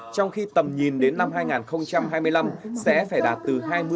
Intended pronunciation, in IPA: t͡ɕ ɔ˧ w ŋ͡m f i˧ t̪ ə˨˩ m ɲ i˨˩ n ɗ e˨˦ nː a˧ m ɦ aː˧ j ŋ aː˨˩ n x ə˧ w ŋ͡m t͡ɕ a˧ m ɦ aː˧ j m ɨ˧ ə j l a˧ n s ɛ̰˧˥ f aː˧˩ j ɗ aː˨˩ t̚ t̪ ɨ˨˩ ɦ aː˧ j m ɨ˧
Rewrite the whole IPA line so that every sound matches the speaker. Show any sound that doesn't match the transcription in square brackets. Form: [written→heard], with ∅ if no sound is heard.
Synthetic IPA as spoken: t͡ɕ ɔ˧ w ŋ͡m [f→x] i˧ t̪ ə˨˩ m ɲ i˨˩ n ɗ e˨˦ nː a˧ m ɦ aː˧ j ŋ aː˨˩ n x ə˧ w ŋ͡m t͡ɕ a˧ m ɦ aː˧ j m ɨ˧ ə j l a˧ [n→m] s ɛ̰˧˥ f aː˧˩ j ɗ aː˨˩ t̚ t̪ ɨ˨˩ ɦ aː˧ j m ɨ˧